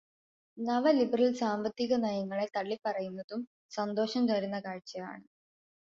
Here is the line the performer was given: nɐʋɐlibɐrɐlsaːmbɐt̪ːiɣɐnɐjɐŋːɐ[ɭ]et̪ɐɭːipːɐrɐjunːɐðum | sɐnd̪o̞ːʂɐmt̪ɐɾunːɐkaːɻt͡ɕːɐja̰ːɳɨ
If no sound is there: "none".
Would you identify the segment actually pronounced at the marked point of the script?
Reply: ɭ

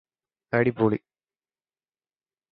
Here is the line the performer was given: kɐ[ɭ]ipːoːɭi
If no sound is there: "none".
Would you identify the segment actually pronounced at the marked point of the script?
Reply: ɽ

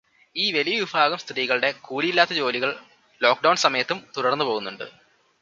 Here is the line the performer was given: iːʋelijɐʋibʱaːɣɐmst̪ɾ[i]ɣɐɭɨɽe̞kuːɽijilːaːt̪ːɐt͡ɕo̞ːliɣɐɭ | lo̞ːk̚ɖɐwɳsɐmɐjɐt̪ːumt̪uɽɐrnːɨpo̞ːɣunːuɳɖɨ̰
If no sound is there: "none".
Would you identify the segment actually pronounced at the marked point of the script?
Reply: iː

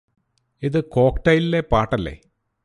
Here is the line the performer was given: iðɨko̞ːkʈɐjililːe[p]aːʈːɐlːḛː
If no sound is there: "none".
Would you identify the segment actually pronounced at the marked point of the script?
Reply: p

